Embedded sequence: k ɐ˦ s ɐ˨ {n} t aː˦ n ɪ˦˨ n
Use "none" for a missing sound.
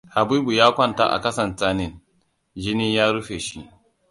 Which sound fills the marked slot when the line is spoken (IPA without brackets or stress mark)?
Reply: n